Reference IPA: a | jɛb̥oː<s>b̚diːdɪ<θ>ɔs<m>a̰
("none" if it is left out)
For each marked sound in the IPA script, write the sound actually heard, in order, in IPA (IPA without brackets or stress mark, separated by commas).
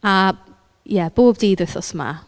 none, θ, m